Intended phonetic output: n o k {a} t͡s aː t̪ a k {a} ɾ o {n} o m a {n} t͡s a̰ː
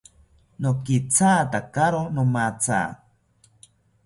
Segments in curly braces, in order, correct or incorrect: incorrect: i, correct, correct, incorrect: none

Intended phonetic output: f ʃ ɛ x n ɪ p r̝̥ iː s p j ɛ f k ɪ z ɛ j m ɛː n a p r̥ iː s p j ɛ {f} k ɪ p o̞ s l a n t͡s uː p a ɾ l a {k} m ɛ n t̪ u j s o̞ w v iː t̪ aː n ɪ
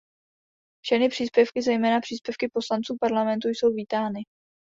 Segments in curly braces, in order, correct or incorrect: correct, incorrect: none

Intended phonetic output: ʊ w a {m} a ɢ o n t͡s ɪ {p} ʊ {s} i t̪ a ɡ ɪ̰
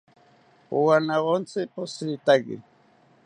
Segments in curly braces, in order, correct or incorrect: incorrect: n, correct, correct

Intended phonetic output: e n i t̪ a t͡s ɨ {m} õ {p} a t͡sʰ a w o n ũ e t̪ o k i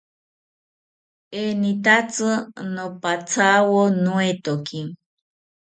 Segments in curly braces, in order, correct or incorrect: incorrect: n, correct

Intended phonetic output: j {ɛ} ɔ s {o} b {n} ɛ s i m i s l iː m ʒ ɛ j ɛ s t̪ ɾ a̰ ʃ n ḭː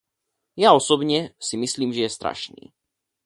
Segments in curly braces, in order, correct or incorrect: incorrect: a, incorrect: ɔ, incorrect: ɲ

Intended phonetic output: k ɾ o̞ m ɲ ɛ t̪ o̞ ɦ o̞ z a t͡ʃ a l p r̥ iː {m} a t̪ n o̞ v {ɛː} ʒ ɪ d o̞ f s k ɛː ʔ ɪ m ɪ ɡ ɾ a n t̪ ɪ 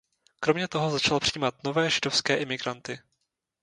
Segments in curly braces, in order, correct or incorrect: correct, correct

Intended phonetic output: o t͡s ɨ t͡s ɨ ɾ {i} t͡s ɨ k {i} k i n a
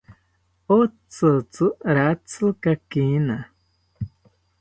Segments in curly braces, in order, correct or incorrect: incorrect: a, incorrect: a

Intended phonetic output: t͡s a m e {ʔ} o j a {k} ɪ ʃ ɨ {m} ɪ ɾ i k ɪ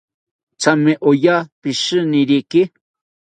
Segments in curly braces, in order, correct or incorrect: correct, incorrect: p, incorrect: n

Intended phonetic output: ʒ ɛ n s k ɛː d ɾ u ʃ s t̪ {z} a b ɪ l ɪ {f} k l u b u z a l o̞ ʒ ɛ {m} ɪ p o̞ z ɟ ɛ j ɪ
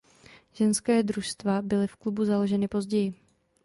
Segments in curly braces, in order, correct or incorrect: incorrect: v, correct, incorrect: n

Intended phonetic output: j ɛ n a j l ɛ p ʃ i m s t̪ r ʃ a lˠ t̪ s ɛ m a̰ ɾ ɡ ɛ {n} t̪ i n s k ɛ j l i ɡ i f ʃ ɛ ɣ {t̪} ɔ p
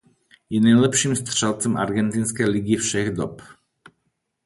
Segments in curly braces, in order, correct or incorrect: correct, incorrect: d̪

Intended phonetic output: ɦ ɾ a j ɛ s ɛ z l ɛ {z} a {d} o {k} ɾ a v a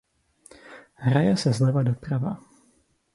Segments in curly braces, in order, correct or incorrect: incorrect: v, correct, incorrect: p

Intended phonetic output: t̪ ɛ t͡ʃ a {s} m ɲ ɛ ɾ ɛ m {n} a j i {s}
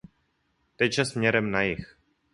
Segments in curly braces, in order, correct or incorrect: correct, correct, incorrect: x

